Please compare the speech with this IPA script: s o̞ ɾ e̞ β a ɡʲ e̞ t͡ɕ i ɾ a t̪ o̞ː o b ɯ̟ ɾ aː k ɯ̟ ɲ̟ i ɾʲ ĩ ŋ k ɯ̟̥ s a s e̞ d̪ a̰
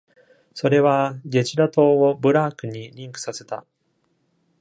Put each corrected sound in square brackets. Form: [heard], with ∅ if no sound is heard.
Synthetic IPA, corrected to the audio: s o̞ ɾ e̞ β a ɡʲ e̞ t͡ɕ i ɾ a t̪ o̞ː o b ɯ̟ ɾ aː k ɯ̟ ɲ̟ i ɾʲ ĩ ŋ k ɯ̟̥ s a s e̞ [t̪] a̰